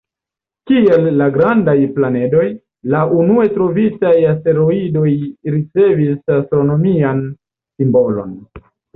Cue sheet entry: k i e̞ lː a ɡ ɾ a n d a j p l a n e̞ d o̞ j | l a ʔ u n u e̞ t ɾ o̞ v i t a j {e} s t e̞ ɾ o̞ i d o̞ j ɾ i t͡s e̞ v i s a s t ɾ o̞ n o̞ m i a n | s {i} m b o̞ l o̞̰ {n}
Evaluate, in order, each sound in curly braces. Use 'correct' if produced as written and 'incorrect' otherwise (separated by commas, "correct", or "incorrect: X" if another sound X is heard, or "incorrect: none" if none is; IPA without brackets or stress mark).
incorrect: a, correct, correct